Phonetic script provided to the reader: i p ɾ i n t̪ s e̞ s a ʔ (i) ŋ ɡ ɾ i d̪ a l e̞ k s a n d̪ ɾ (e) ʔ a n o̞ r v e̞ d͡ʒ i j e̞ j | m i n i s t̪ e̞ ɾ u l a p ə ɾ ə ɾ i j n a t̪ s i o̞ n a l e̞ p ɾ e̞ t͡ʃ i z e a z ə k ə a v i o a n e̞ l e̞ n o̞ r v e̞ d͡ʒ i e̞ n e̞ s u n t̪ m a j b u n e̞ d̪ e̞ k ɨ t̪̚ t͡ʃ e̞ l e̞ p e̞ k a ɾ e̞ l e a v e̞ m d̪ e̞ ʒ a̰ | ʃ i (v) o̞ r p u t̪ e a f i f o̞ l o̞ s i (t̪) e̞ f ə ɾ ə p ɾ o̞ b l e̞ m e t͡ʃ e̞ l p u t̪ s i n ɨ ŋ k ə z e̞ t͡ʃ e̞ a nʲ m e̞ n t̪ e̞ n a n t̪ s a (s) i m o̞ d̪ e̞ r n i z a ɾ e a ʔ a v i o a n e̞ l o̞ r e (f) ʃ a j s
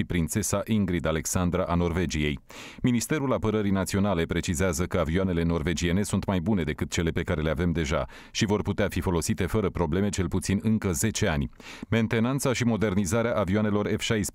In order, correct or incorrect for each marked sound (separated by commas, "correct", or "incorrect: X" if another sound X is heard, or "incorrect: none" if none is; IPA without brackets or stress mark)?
correct, incorrect: a, correct, correct, incorrect: ʃ, correct